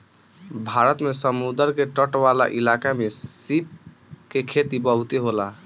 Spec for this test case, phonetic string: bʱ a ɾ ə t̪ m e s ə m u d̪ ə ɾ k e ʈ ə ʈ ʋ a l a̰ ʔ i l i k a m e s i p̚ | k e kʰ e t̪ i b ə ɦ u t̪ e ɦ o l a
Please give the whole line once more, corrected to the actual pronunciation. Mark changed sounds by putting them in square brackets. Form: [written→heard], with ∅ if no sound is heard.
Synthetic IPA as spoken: bʱ a ɾ ə t̪ m e s ə m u d̪ ə ɾ k e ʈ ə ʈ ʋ a l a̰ ʔ i l [i→a] k a m e s i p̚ | k e kʰ e t̪ i b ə ɦ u t̪ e ɦ o l a